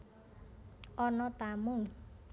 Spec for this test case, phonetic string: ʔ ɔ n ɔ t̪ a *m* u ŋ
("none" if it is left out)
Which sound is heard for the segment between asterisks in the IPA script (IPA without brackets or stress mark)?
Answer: m